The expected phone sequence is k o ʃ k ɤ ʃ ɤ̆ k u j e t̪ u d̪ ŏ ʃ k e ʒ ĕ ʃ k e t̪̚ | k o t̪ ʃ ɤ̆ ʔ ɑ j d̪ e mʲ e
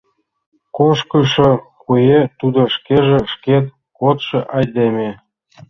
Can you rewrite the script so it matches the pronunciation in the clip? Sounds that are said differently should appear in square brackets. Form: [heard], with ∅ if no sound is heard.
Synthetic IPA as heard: k o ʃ k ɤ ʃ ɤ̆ k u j e t̪ u d̪ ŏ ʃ k e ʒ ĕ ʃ k e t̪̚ | k o t̪ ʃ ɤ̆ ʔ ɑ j d̪ e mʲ e